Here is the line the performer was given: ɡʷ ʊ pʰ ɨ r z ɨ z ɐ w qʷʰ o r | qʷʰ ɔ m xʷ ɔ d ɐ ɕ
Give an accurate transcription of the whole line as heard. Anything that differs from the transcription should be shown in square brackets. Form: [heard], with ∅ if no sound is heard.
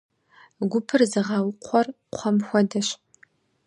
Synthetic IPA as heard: ɡʷ ʊ pʰ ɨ r z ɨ [ʁ] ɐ w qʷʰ [ɔ] r | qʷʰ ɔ m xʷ ɔ d ɐ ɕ